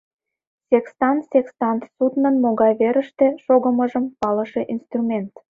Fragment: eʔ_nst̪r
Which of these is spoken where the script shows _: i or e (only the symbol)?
i